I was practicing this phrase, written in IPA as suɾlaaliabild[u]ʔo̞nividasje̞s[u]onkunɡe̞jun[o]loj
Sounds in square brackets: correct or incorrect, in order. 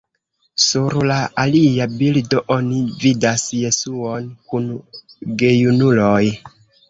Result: incorrect: o, correct, incorrect: u

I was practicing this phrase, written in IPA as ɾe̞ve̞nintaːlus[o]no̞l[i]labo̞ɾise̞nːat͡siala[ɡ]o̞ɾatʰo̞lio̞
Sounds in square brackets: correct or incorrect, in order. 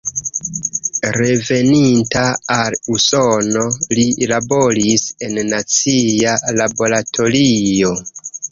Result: correct, correct, incorrect: b

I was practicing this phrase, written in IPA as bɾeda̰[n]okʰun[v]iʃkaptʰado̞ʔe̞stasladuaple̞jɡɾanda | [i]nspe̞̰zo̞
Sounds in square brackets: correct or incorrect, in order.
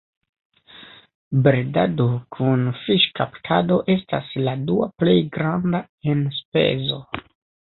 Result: incorrect: d, incorrect: f, incorrect: e

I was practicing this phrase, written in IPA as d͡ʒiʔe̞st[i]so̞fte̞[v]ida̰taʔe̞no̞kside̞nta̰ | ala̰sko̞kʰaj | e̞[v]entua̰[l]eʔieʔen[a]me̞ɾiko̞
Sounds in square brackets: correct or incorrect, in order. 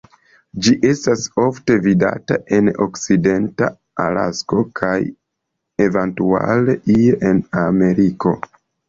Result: incorrect: a, correct, correct, correct, correct

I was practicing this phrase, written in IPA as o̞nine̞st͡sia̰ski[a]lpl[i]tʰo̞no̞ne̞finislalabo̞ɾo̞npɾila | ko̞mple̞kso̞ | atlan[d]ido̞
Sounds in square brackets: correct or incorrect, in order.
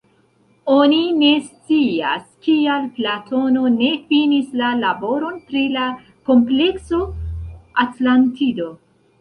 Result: correct, incorrect: a, incorrect: t

